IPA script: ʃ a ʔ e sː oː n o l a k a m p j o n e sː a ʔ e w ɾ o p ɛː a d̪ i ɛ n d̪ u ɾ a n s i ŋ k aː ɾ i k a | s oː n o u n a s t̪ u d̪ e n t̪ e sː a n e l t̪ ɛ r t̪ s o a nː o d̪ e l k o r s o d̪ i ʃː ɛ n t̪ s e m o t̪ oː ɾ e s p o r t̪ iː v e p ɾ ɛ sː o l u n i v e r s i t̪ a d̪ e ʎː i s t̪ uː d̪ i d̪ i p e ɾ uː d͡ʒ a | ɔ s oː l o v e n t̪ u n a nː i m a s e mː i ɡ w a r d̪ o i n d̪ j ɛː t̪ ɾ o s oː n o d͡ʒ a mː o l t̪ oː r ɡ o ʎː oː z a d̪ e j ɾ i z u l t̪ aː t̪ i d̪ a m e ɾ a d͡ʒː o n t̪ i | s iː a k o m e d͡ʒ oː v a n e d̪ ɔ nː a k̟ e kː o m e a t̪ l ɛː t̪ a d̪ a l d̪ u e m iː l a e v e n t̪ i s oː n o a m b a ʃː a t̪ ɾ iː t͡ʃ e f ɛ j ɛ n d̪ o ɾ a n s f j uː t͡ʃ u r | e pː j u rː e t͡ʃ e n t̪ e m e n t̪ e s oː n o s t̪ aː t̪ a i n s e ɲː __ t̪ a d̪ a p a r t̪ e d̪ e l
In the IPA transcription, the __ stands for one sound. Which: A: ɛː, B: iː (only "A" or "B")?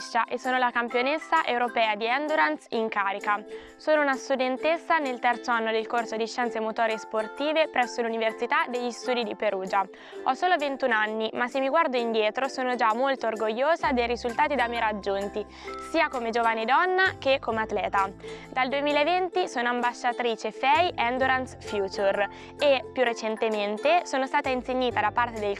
B